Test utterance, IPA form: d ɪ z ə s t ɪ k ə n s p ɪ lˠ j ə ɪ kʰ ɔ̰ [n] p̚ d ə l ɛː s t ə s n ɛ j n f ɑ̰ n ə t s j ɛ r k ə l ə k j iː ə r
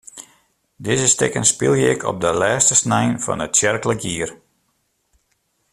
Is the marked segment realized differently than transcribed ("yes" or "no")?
yes